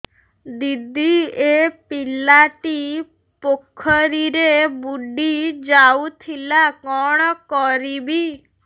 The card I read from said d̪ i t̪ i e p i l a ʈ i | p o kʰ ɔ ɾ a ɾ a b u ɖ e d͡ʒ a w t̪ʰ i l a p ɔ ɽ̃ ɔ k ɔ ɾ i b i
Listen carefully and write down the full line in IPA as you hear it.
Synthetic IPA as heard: d̪ i d̪ i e p i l a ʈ i | p o kʰ ɔ ɾ i ɾ e b u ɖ i d͡ʒ a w t̪ʰ i l a k ɔ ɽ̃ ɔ k ɔ ɾ i b i

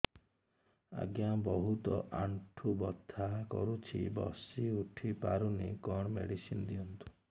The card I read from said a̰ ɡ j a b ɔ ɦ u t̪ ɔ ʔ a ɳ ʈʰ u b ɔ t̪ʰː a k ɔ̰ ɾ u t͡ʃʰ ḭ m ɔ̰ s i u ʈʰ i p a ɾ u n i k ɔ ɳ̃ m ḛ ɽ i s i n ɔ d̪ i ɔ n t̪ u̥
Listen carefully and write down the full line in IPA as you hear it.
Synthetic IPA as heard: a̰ ɡ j a b ɔ ɦ u t̪ ɔ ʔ a ɳ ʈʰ u b ɔ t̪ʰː a k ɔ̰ ɾ u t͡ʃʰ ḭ b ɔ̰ s i u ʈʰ i p a ɾ u n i k ɔ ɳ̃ m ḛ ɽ i s i n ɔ d̪ i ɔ n t̪ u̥

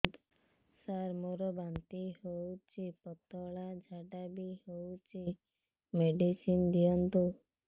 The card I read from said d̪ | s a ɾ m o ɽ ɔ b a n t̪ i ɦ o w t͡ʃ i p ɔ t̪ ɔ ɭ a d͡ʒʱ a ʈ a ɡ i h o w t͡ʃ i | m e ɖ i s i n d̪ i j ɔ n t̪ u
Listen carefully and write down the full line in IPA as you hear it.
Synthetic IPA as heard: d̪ | s a ɾ m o ɾ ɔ b a n t̪ i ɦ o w t͡ʃ i p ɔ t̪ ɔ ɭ a d͡ʒʱ a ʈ a b i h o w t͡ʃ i | m e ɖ i s i n d̪ i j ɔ n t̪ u

